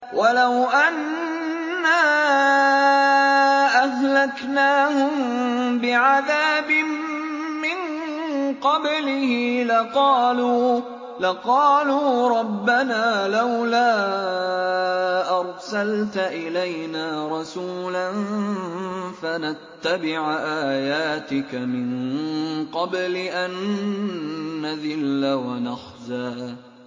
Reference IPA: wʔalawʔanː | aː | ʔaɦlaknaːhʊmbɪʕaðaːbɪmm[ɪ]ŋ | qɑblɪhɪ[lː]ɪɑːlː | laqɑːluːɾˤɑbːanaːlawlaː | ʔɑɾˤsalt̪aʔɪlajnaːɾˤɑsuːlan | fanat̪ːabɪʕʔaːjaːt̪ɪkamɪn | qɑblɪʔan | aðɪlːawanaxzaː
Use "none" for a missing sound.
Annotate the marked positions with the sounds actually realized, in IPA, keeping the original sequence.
ɪ, l

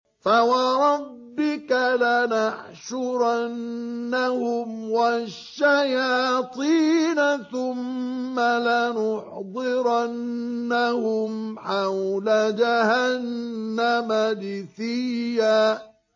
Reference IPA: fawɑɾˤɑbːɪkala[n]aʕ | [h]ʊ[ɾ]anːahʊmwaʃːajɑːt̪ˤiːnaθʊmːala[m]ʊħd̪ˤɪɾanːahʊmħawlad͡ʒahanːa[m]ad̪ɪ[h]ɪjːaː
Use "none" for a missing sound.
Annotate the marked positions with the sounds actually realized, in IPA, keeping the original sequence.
n, ʃ, ɾ, n, m, θ

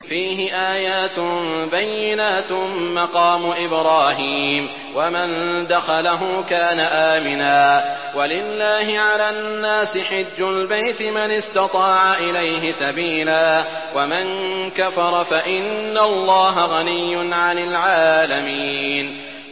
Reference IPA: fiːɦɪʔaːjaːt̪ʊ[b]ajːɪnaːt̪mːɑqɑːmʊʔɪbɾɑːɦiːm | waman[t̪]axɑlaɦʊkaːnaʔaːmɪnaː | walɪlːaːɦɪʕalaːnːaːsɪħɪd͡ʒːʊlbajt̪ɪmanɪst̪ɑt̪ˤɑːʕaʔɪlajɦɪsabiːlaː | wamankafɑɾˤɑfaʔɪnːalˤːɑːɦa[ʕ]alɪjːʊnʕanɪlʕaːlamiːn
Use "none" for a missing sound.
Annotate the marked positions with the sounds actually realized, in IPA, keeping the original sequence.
b, d̪, ɣ

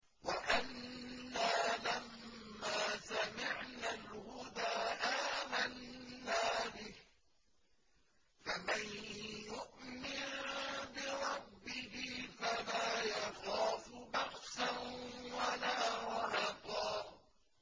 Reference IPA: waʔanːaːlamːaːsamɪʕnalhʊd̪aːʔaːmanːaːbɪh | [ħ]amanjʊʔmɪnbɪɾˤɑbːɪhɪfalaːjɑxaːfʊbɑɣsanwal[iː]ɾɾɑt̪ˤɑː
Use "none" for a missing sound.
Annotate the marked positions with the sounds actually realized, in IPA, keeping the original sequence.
f, aː

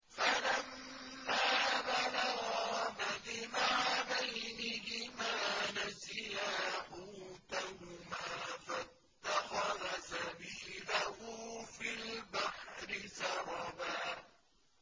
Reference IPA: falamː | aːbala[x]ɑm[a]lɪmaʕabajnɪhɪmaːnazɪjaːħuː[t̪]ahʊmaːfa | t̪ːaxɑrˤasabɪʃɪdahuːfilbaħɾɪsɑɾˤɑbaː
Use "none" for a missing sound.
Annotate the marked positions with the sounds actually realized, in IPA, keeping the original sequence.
ɣ, a, t̪

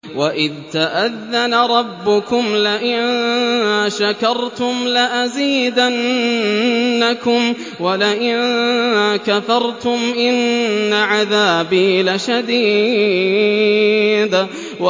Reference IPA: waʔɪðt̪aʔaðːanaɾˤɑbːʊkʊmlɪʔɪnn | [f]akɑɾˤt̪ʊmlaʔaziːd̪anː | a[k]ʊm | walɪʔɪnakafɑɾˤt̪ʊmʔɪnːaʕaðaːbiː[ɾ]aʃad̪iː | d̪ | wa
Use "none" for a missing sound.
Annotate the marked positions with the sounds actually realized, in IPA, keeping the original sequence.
ʃ, k, l

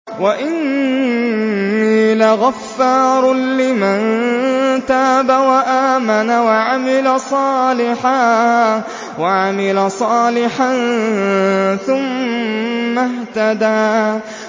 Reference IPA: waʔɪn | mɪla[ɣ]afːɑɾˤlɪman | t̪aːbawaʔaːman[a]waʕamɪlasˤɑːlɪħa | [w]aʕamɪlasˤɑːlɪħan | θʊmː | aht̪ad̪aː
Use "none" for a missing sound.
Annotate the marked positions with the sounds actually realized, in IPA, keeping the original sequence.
ɣ, a, w

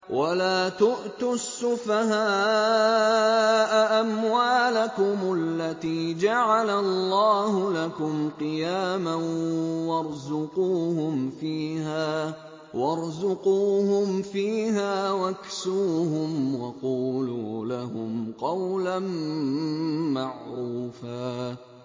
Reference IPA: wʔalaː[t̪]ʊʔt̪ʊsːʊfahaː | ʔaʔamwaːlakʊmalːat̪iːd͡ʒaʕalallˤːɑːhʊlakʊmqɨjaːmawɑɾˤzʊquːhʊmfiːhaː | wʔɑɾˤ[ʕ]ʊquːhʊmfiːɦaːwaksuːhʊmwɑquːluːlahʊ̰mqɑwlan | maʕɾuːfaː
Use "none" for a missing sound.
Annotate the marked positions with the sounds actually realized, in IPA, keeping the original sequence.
t̪, z

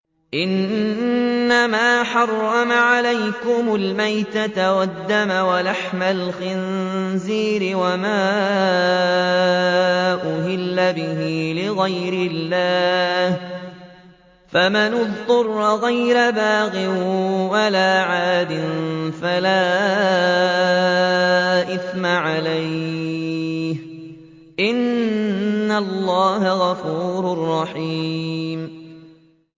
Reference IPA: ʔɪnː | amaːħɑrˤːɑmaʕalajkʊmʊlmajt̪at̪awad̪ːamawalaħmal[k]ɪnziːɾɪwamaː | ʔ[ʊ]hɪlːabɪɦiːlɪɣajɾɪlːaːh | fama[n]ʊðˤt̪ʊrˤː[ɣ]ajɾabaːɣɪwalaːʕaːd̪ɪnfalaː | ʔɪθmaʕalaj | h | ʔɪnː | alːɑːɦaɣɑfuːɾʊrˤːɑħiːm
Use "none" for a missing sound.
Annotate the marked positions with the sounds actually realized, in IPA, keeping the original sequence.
x, ʊ, n, ɣ

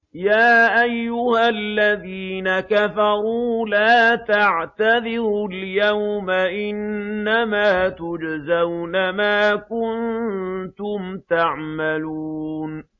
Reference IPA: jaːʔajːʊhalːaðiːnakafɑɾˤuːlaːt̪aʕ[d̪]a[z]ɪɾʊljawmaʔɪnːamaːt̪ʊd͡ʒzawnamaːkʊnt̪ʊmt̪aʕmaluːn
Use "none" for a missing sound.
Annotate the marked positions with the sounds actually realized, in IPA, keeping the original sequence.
t̪, ð

